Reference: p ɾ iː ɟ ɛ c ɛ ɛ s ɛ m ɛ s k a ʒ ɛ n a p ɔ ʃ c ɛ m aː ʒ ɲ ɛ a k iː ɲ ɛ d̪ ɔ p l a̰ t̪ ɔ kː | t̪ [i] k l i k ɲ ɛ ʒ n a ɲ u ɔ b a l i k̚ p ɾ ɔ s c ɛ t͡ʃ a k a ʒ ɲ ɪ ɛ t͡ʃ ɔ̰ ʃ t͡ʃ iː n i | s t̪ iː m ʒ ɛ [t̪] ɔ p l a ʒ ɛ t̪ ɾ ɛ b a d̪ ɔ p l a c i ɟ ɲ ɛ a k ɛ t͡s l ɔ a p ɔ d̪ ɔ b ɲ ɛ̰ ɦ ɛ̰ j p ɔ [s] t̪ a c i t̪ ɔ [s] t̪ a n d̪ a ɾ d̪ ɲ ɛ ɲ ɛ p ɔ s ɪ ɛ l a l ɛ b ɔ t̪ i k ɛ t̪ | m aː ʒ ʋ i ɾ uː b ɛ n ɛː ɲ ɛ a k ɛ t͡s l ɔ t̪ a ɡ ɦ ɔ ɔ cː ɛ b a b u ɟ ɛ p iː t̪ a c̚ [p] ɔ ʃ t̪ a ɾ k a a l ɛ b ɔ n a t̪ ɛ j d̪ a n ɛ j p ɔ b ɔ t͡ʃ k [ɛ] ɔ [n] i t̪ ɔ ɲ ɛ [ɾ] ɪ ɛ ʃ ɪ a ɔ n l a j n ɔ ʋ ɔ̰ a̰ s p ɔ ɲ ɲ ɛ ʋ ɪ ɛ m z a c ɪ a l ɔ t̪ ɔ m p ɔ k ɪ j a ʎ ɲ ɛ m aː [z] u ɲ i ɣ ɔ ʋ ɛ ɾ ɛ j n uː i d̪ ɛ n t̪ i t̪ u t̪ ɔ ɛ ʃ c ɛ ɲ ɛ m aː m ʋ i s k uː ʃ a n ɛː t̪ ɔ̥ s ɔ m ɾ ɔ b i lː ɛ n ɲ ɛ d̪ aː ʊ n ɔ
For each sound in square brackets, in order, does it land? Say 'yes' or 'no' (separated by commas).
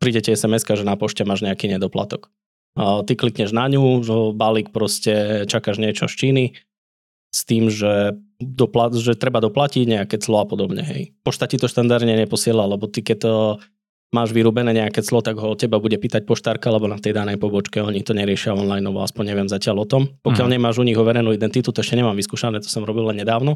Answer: yes, no, no, no, yes, yes, no, yes, no